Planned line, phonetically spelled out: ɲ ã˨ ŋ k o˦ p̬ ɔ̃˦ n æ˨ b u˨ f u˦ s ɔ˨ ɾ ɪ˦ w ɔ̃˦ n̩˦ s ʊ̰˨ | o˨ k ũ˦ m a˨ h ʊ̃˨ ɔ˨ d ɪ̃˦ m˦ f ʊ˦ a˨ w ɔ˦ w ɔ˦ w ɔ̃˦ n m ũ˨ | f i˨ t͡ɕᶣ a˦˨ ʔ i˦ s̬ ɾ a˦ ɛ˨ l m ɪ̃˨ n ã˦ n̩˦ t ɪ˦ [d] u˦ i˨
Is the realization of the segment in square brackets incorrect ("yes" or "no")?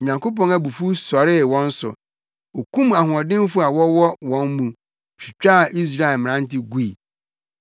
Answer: yes